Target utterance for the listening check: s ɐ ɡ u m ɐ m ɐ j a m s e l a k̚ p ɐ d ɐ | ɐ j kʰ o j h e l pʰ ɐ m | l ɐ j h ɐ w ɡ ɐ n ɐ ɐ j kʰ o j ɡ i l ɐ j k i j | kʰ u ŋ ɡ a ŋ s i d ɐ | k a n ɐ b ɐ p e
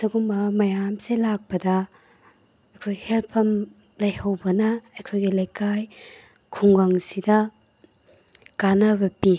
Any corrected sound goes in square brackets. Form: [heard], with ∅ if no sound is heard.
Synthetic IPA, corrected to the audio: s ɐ ɡ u m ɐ m ɐ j a m s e l a k̚ p ɐ d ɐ | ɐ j kʰ o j h e l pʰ ɐ m | l ɐ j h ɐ w [b] ɐ n ɐ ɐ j kʰ o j ɡ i l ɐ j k [a] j | kʰ u ŋ ɡ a ŋ s i d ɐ | k a n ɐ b ɐ p [i]

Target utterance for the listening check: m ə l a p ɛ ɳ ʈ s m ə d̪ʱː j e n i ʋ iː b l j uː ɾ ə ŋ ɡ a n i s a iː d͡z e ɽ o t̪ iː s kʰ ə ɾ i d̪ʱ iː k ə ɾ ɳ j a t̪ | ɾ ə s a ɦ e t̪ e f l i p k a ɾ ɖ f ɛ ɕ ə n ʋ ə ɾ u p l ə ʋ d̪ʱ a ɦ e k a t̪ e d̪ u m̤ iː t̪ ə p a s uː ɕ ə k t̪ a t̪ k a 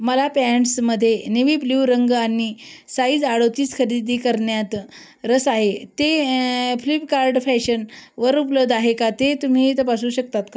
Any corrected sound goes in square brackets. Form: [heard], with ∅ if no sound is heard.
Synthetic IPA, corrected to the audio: m ə l a p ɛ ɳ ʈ s m ə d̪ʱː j e n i ʋ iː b l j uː ɾ ə ŋ ɡ a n i s a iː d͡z [a] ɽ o t̪ iː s kʰ ə ɾ i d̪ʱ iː k ə ɾ ɳ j a t̪ | ɾ ə s a ɦ e t̪ e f l i p k a ɾ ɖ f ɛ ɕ ə n ʋ ə ɾ u p l ə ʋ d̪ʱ a ɦ e k a t̪ e [t̪] u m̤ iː t̪ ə p a s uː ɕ ə k t̪ a t̪ k a

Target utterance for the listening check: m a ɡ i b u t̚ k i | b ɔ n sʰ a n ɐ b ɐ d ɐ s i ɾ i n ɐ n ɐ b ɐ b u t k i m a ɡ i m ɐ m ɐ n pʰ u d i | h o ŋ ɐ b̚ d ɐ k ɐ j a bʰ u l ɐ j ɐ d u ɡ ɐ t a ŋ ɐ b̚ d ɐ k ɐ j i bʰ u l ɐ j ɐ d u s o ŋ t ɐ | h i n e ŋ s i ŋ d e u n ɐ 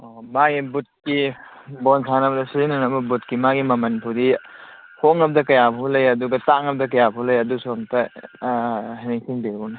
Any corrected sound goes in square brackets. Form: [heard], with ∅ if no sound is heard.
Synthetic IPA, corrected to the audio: m a ɡ i b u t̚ k i | b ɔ n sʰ a n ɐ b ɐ d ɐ s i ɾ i n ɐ n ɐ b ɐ b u t k i m a ɡ i m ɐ m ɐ n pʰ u d i | h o ŋ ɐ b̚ d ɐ k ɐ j a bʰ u l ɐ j ɐ d u ɡ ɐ t a ŋ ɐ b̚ d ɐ k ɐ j [a] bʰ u l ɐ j ɐ d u s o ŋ t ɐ | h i n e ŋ s i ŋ [b] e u n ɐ

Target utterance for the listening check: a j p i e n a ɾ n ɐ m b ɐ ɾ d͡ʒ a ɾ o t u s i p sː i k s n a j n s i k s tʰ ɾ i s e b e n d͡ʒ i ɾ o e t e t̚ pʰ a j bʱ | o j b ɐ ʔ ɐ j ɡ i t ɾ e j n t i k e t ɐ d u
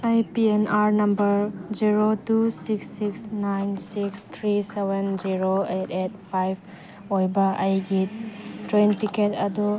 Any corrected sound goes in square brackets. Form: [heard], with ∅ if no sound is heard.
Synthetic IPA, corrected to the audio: a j p i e n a ɾ n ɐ m b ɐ ɾ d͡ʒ [i] ɾ o t u s i [k] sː i k s n a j n s i k s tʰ ɾ i s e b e n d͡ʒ i ɾ o e t e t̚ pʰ a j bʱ | o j b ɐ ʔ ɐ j ɡ i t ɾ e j n t i k e t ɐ d u

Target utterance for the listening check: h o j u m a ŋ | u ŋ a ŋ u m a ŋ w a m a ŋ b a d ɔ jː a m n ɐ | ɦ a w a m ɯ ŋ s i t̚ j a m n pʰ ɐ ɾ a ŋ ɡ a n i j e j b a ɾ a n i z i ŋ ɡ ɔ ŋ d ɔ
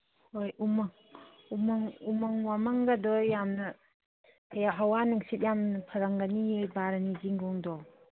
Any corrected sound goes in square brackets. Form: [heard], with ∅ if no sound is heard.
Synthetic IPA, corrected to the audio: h o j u m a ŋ | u [m] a ŋ u m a ŋ w a m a ŋ [ɡ] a d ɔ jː a m n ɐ | ɦ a w a [n] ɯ ŋ s i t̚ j a m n pʰ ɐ ɾ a ŋ ɡ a n i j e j b a ɾ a n i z i ŋ ɡ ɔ ŋ d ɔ

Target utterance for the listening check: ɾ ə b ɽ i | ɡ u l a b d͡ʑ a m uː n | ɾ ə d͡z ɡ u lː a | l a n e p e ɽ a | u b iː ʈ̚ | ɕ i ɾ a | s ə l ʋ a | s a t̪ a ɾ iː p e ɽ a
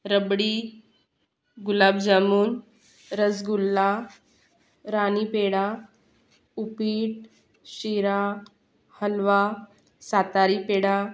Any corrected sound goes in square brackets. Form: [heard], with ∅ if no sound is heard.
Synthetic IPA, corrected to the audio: ɾ ə b ɽ i | ɡ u l a b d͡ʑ a m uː n | ɾ ə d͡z ɡ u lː a | [ɾ] a n [i] p e ɽ a | u [p] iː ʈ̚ | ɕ i ɾ a | [h] ə l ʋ a | s a t̪ a ɾ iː p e ɽ a

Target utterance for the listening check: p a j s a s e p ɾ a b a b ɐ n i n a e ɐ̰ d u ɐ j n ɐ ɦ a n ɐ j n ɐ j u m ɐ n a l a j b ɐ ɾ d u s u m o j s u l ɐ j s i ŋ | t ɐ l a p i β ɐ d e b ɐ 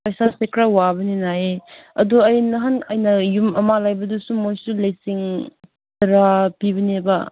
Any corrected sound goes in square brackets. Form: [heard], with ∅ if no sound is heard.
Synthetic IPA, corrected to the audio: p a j s a s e [k] ɾ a [w] a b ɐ n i n a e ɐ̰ d u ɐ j n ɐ ɦ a n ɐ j n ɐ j u m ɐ [m] a l a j b ɐ [∅] d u s u m o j s u l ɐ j s i ŋ | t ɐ [ɾ] a p i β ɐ [n] e b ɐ

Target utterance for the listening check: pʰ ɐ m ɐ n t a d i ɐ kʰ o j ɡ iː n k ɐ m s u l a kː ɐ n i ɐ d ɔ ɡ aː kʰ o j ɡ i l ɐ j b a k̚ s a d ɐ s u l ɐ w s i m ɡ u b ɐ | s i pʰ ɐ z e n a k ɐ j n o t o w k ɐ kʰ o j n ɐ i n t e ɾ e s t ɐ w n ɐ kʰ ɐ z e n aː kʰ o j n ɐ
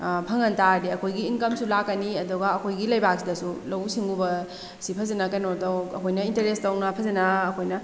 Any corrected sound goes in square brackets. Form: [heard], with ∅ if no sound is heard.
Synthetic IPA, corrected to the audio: pʰ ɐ [ŋ] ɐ n t a d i ɐ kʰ o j ɡ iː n k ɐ m s u l a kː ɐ n i ɐ d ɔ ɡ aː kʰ o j ɡ i l ɐ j b a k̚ s [i] d ɐ s u l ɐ w s i [ŋ] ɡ u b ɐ | s i pʰ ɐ z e n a k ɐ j n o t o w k ɐ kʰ o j n ɐ i n t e ɾ e s t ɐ w n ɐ [pʰ] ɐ z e n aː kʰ o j n ɐ

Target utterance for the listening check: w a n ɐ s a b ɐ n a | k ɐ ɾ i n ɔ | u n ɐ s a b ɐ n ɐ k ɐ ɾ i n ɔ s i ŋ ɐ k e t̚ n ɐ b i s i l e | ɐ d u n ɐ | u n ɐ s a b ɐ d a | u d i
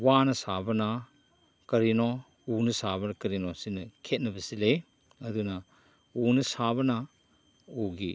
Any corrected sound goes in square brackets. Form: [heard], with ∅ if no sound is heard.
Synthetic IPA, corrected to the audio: w a n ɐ s a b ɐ n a | k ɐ ɾ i n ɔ | u n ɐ s a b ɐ n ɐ k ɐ ɾ i n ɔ s i [n] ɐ [kʰ] e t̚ n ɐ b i s i l e | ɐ d u n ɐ | u n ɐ s a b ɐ [n] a | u [ɡ] i

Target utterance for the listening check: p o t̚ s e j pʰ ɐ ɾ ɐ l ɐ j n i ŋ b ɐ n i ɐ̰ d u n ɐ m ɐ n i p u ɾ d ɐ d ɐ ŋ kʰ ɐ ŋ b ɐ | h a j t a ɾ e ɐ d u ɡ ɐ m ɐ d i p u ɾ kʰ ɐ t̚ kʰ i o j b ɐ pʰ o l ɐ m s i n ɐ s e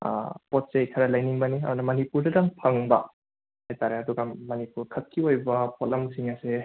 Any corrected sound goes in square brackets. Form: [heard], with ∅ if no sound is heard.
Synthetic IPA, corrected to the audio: p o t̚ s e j [kʰ] ɐ ɾ ɐ l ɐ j n i ŋ b ɐ n i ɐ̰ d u n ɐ m ɐ n i p u ɾ d ɐ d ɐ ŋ [pʰ] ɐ ŋ b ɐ | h a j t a ɾ e ɐ d u ɡ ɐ m ɐ [n] i p u ɾ kʰ ɐ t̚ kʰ i o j b ɐ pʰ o l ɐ m s i [ŋ] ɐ s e

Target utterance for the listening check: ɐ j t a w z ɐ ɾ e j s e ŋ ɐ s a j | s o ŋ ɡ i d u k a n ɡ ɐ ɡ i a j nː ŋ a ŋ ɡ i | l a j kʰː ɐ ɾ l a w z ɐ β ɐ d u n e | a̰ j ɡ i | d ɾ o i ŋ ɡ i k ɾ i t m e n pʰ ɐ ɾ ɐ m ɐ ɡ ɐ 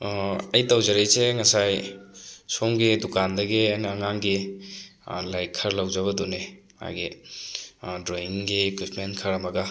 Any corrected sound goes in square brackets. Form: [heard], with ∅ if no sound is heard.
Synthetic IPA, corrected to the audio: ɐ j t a w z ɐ ɾ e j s e ŋ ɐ s a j | s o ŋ ɡ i d u k a n [d] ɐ ɡ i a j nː ŋ a ŋ ɡ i | l a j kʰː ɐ ɾ l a w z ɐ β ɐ d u n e | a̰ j ɡ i | d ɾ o i ŋ ɡ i k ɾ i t m e n [kʰ] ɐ ɾ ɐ m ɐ ɡ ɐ

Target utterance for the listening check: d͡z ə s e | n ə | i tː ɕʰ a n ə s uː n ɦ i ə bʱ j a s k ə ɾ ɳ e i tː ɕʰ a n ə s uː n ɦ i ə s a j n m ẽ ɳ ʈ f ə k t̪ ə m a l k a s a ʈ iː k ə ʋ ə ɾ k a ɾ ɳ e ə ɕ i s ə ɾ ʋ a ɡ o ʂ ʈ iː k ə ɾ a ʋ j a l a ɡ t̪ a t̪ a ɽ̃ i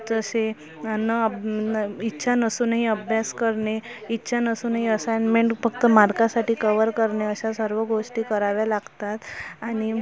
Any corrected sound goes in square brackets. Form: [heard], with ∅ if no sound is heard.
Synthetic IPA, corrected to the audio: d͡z ə s e | n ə | i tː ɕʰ a n ə s uː n ɦ i ə bʱ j a s k ə ɾ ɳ e i tː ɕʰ a n ə s uː n ɦ i ə s a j n m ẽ ɳ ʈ f ə k t̪ ə m a [ɾ] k a s a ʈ iː k ə ʋ ə ɾ k [ə] ɾ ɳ e ə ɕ [a] s ə ɾ ʋ [ə] ɡ o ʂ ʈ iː k ə ɾ a ʋ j a l a ɡ t̪ a t̪ a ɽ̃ i

